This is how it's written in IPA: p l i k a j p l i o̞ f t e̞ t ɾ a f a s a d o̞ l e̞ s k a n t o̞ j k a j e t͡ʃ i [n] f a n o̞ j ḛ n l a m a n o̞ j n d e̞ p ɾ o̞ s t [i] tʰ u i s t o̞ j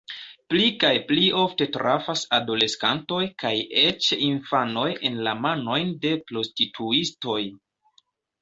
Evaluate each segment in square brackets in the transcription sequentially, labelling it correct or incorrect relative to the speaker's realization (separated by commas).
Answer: correct, correct